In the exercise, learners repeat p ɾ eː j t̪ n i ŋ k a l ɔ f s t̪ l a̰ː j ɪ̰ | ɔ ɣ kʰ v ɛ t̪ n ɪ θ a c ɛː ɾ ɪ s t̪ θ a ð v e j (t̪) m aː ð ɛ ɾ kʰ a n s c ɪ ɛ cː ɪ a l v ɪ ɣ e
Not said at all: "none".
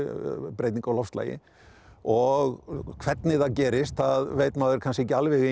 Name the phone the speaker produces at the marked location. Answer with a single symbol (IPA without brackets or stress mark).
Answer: t̪